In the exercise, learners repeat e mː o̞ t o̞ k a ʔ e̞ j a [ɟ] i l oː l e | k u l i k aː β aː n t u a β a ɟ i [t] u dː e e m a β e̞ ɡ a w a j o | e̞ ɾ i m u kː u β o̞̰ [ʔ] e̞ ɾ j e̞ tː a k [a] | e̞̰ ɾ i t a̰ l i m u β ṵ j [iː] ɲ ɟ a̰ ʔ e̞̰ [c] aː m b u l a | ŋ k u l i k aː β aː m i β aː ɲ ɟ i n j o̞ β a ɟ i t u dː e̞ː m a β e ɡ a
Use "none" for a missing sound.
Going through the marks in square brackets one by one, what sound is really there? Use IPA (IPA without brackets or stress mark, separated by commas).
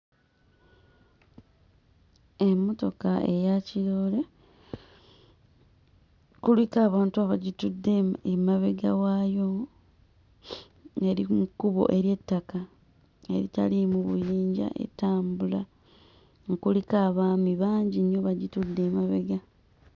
c, t, ʔ, a, iː, t